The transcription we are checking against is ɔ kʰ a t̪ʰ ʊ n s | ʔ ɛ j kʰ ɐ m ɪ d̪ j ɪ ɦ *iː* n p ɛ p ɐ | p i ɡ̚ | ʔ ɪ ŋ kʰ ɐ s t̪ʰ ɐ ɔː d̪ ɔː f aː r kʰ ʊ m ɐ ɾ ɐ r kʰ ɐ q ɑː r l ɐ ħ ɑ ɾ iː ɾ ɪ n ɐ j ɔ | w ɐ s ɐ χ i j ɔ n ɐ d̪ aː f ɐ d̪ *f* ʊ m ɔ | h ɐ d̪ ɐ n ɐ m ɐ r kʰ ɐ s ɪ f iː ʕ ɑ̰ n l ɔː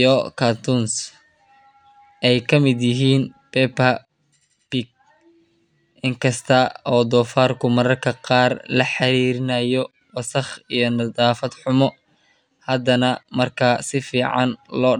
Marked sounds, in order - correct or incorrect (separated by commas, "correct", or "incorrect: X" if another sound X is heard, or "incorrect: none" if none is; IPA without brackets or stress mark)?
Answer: correct, incorrect: ħ